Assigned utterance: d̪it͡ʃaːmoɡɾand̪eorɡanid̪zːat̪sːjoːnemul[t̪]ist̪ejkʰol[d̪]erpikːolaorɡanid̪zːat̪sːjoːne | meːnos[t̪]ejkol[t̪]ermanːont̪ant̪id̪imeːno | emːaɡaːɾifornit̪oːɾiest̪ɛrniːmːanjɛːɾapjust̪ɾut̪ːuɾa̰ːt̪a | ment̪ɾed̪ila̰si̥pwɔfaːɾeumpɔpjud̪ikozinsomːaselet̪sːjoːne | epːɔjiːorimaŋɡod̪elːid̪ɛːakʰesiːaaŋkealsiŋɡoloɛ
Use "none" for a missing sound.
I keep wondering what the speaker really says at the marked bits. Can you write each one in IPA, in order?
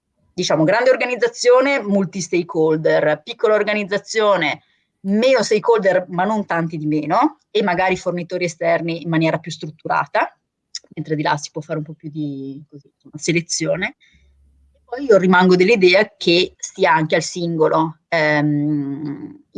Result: t̪, d̪, t̪, d̪

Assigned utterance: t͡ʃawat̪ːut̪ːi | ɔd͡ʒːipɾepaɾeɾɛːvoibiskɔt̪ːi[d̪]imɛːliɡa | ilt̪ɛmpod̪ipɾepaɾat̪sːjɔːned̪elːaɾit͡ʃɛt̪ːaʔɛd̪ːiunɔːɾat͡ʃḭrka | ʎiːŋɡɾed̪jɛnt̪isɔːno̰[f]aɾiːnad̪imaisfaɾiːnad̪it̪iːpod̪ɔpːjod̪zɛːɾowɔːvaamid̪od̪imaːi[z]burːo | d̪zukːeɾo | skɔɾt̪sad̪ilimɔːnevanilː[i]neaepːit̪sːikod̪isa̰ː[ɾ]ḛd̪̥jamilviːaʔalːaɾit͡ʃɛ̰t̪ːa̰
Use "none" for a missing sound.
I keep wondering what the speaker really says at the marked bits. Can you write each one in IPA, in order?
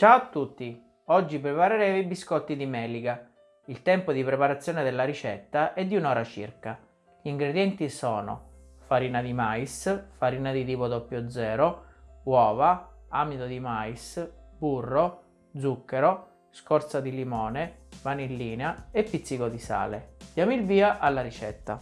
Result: d̪, f, s, iː, l

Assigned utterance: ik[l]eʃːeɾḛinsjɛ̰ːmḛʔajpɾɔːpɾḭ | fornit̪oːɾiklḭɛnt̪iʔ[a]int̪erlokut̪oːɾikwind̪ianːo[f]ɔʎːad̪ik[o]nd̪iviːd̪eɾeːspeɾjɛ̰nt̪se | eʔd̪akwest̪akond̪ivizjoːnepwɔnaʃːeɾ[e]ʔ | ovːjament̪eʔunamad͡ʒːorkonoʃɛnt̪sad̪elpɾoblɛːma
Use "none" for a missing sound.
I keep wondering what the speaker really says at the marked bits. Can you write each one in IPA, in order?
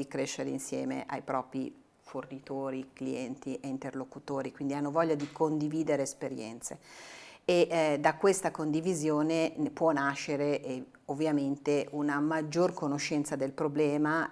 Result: ɾ, e, v, o, e

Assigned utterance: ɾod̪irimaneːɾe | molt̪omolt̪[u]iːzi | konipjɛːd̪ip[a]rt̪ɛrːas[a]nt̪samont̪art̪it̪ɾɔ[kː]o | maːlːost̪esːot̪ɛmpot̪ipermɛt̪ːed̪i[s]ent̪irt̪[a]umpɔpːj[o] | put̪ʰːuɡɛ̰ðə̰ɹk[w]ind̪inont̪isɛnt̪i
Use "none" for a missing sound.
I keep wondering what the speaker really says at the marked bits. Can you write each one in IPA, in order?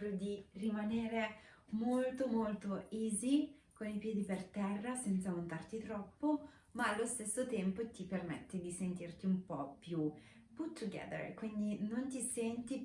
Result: o, e, ɛ, pː, s, i, u, w

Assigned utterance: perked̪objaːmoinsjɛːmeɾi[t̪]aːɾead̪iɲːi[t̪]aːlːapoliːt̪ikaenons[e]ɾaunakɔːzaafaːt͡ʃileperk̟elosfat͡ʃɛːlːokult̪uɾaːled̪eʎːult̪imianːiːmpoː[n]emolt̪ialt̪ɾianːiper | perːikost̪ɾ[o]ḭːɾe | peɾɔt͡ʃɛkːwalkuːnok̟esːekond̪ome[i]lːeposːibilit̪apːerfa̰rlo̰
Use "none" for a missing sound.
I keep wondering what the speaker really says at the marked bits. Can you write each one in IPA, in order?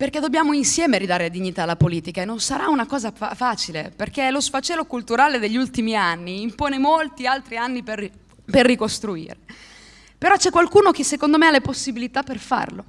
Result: d̪, t̪, a, n, u, a

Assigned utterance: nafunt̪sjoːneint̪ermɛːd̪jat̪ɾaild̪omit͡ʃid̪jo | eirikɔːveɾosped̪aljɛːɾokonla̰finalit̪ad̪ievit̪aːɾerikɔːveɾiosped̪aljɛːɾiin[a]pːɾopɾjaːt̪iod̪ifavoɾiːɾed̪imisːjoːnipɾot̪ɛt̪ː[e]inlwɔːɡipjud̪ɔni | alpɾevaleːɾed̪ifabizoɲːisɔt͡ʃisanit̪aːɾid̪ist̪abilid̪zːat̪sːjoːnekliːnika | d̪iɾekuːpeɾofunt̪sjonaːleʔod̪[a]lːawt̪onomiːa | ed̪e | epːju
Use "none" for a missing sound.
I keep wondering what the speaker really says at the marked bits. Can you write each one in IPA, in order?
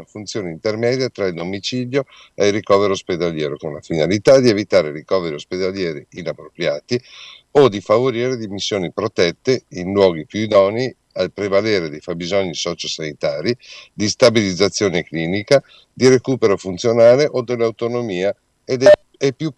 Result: a, e, e

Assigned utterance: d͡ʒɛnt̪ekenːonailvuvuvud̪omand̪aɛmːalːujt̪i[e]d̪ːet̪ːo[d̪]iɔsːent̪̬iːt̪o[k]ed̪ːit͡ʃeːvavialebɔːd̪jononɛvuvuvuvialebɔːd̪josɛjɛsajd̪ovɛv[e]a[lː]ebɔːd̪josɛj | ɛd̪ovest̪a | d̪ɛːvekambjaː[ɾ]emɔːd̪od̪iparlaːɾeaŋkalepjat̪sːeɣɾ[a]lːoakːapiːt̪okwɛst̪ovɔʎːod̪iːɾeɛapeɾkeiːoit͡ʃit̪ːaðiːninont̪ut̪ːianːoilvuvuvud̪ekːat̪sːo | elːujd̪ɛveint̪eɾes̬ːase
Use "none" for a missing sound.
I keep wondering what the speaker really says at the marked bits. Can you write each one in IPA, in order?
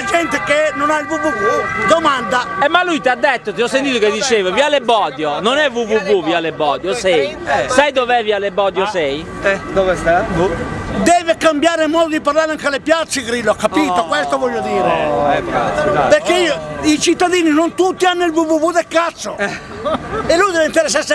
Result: a, t̪, k, i, l, ɾ, i

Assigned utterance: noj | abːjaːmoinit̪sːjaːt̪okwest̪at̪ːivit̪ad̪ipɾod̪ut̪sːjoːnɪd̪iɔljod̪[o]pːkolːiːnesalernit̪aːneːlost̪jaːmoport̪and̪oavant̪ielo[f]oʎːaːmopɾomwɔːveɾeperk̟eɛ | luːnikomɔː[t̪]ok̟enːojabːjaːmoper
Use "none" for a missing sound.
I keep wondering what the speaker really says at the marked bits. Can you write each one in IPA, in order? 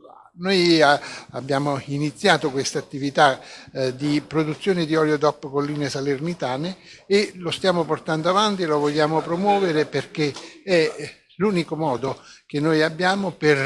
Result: ɔ, v, d̪

